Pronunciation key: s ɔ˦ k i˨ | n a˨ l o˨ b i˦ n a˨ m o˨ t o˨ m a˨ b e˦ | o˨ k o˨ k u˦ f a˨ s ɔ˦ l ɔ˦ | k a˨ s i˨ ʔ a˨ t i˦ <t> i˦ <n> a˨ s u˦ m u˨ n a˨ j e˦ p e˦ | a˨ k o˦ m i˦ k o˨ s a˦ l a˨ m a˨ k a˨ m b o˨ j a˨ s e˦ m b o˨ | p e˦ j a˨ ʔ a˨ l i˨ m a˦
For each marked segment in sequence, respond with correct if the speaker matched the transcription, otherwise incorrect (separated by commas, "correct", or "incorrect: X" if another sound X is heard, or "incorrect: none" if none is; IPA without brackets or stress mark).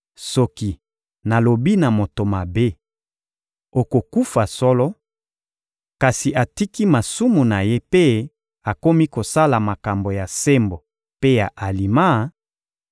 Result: incorrect: k, incorrect: m